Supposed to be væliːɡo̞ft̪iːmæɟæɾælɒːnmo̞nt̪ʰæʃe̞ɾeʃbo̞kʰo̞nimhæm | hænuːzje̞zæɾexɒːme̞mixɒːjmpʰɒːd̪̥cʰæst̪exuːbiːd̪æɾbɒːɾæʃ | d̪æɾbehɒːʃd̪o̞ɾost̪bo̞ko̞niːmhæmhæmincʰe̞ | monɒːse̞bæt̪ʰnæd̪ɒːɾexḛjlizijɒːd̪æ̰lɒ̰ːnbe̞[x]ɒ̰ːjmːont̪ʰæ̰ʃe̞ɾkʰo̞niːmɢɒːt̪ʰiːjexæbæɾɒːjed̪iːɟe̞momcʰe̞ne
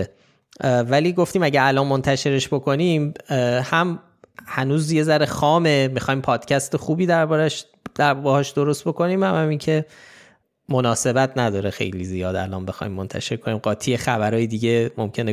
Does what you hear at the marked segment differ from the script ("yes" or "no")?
no